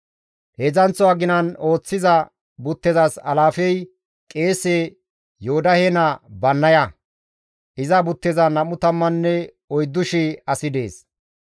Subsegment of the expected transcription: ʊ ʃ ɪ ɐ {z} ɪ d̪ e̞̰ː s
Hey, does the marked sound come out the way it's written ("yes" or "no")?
no